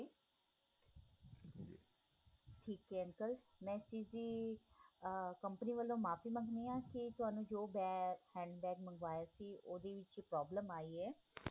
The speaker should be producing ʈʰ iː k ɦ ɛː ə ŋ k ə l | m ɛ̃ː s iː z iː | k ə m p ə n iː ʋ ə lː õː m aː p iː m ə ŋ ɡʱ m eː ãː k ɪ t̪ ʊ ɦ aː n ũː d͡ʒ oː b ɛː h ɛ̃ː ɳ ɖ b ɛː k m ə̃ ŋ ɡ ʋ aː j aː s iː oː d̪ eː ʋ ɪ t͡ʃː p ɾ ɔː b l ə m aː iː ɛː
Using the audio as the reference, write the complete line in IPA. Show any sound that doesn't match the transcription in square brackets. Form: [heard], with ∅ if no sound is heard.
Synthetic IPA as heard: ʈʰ iː k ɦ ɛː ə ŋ k ə l | m ɛ̃ː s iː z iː | k ə m p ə n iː ʋ ə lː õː m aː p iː m ə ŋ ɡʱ [n] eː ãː k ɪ t̪ ʊ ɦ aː n ũː d͡ʒ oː b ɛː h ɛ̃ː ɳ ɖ b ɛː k m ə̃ ŋ ɡ ʋ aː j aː s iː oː d̪ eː ʋ ɪ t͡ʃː p ɾ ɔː b l ə m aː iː ɛː